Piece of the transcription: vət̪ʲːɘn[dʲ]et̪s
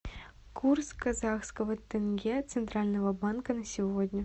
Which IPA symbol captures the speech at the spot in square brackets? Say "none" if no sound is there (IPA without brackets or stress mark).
ɡʲ